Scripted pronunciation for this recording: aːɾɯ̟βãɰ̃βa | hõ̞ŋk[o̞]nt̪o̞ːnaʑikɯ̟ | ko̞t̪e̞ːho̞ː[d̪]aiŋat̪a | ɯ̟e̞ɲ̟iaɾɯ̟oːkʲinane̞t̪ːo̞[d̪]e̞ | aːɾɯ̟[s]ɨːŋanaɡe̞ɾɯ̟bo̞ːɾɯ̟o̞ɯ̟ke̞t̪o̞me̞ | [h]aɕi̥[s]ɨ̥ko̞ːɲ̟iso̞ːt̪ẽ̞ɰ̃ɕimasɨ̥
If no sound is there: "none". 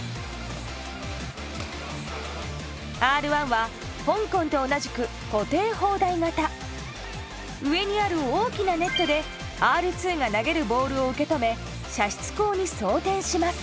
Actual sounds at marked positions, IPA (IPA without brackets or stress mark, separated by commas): õ̞, d̪, d̪, t͡s, ɕ, t͡s